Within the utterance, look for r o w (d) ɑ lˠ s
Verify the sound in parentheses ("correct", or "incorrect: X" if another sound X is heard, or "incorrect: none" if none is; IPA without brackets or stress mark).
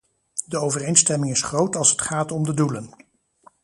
incorrect: t